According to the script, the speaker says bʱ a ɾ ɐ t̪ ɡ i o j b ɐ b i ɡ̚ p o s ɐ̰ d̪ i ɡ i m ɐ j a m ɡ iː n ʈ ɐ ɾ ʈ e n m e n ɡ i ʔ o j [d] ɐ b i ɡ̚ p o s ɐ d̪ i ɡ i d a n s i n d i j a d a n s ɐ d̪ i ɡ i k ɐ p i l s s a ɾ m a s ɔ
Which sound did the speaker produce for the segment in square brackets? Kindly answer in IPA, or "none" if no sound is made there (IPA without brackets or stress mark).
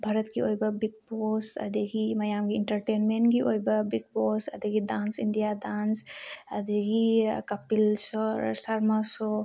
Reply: b